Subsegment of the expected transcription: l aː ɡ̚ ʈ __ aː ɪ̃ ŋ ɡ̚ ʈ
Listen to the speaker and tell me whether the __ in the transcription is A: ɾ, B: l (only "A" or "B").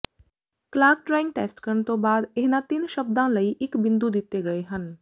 A